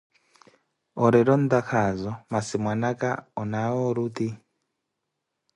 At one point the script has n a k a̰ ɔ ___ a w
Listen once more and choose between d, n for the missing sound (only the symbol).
n